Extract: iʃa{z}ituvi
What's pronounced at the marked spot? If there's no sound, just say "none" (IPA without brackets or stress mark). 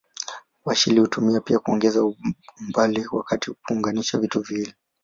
v